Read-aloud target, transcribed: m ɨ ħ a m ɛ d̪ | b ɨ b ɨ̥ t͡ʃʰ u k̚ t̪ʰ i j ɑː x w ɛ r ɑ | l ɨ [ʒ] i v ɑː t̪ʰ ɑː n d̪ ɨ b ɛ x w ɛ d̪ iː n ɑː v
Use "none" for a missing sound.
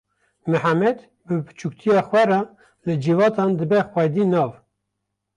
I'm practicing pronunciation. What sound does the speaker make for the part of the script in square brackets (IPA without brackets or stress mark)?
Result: d͡ʒ